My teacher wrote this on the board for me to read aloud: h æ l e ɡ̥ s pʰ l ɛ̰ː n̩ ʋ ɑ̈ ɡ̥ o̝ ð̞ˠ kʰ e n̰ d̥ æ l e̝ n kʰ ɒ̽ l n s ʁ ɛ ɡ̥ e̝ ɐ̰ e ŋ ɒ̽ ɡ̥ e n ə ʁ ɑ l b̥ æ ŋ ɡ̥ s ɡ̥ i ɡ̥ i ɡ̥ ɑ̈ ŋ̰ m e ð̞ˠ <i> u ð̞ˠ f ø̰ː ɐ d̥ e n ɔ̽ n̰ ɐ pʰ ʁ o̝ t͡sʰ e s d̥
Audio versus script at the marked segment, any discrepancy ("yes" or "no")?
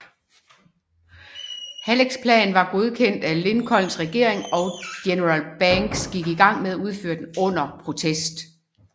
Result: yes